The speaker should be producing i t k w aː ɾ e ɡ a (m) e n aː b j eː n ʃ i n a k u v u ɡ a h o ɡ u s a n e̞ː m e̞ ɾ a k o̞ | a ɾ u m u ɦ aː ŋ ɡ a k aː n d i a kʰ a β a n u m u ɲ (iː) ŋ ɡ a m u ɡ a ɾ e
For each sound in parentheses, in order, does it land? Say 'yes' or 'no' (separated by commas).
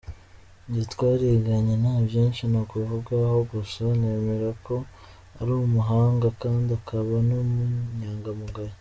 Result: no, no